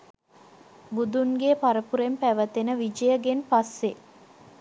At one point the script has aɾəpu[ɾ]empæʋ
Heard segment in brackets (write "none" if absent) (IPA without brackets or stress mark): ɾ